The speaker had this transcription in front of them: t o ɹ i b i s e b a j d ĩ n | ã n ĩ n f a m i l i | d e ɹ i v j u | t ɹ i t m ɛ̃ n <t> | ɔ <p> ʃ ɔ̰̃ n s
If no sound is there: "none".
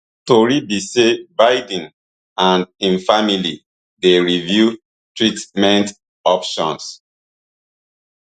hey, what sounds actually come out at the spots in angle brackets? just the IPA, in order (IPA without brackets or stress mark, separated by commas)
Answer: t, p